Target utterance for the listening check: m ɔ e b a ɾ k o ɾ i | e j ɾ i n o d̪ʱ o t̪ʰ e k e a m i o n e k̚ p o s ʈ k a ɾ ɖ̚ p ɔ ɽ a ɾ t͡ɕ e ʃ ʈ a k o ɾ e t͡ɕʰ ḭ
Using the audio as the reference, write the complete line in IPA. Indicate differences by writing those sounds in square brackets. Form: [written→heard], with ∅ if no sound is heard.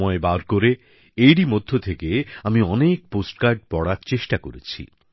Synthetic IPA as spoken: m ɔ e b a ɾ k o ɾ [i→e] | e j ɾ i [n→m] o [d̪ʱ→d̪ʱː] o t̪ʰ e k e a m i [o→ɔ] n e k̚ p o s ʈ k a ɾ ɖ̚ p ɔ ɽ a ɾ t͡ɕ e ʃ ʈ a k o ɾ e t͡ɕʰ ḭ